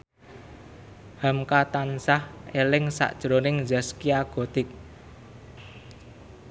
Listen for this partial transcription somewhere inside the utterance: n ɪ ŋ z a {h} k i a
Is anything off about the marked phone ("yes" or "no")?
yes